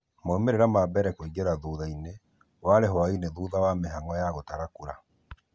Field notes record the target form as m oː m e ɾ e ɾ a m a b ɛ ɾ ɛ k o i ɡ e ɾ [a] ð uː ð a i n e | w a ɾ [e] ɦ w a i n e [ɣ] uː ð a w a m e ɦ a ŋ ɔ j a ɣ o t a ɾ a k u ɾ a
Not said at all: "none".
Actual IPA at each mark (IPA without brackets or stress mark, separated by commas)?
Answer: a, e, ð